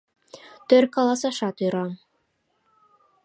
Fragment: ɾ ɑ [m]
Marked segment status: correct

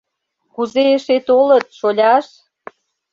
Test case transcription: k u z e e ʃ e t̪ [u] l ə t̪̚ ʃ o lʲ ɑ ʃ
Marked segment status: incorrect: o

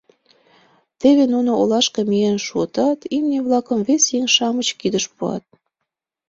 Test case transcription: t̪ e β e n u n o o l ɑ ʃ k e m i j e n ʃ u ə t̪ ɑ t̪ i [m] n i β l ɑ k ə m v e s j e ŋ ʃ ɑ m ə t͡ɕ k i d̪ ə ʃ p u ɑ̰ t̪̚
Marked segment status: correct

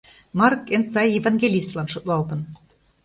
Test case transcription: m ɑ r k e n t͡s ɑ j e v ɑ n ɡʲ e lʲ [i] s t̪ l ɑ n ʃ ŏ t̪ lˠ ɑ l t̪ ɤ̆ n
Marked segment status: correct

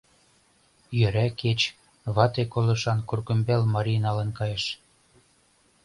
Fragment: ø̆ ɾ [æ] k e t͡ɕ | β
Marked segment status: correct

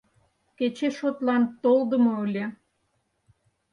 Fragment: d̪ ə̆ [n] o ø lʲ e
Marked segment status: incorrect: m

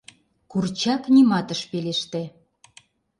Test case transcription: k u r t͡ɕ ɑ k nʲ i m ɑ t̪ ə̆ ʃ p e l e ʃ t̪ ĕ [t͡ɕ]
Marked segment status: incorrect: none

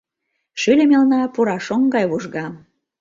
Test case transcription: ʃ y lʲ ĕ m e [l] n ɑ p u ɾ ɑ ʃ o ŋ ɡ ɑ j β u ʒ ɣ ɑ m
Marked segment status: correct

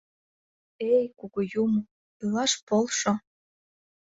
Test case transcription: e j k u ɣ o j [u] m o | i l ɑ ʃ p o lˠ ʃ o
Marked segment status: correct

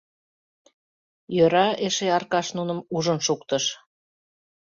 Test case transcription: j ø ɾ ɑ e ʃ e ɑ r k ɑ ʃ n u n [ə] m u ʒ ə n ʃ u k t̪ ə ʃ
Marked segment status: correct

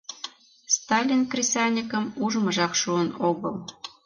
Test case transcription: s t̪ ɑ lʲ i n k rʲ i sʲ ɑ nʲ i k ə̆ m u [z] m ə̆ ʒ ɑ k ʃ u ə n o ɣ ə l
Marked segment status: incorrect: ʒ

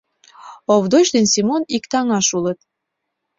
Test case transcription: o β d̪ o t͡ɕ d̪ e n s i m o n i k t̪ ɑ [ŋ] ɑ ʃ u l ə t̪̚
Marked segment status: correct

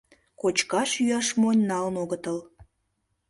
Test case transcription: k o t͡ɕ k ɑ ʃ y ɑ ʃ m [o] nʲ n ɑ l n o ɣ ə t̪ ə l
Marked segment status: correct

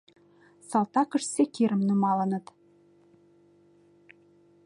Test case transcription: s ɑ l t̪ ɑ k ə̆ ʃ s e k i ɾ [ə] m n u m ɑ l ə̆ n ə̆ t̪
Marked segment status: correct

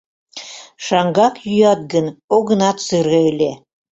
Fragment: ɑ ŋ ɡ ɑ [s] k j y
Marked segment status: incorrect: none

